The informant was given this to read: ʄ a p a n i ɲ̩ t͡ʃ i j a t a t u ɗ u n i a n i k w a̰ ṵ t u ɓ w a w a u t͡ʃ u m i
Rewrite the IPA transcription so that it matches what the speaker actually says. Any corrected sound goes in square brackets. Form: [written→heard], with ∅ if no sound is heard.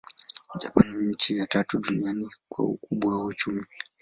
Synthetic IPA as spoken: ʄ a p a n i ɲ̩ t͡ʃ i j a t a t u ɗ u n i a n i k w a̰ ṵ [t→k] u ɓ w a w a u t͡ʃ u m i